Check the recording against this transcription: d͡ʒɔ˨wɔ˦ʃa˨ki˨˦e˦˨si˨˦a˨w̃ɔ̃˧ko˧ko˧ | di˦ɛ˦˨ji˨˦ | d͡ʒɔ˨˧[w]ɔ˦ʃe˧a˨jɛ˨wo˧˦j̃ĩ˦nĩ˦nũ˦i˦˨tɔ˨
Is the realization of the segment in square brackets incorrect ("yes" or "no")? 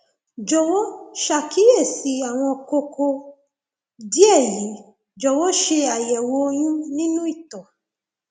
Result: no